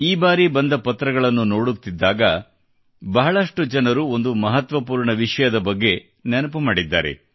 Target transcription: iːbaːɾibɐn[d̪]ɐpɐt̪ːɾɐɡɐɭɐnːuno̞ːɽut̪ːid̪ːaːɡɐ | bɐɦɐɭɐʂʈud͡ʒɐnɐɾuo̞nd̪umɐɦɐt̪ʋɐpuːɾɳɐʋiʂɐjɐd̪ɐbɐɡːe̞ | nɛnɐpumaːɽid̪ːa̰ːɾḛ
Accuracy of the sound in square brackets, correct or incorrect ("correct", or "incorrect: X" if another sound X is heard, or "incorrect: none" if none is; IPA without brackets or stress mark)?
correct